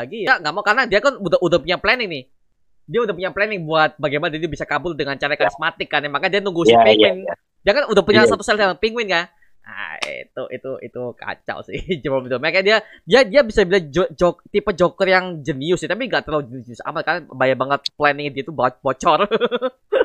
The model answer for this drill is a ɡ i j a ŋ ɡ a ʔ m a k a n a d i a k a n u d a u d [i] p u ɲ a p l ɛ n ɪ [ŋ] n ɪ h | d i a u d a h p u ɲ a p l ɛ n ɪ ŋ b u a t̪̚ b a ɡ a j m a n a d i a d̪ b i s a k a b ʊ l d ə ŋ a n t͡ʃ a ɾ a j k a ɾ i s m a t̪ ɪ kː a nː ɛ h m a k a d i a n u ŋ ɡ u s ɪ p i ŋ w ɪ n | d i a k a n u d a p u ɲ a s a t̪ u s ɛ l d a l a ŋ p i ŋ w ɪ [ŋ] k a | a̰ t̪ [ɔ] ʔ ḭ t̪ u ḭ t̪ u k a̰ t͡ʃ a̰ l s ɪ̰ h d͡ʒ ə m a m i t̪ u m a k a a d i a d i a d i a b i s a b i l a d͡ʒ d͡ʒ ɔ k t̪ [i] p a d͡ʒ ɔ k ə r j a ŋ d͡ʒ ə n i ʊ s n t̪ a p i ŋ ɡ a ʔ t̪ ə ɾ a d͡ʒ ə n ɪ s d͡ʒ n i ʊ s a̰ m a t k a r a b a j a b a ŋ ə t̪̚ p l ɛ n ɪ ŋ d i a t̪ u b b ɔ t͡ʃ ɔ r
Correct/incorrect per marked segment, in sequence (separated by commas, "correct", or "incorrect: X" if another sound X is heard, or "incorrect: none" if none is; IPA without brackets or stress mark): incorrect: a, correct, incorrect: n, incorrect: u, correct